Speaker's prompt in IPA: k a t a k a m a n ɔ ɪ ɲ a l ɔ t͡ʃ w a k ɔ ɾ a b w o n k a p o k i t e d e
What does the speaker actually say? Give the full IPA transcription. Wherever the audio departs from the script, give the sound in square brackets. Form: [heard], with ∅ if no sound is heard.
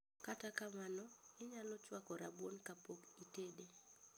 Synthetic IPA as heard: k a t a k a m a n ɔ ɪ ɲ a l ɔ t͡ʃ w a k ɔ ɾ a b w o n k a p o k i t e d e